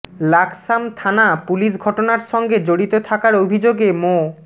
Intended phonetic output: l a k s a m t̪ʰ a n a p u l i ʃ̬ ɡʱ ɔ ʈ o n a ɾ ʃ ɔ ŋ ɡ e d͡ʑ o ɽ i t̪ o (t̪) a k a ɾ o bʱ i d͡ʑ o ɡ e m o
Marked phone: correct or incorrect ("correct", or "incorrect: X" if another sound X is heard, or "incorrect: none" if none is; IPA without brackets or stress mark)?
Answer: incorrect: t̪ʰ